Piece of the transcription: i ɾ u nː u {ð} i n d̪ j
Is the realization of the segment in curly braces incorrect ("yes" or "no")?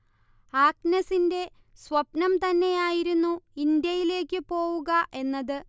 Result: yes